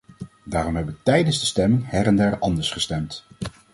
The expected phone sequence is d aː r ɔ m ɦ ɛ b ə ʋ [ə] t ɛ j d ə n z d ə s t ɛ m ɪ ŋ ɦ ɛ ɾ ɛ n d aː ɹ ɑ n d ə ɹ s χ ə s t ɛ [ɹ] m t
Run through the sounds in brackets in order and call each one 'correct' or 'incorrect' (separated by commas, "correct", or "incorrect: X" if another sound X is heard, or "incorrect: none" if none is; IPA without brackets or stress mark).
correct, incorrect: none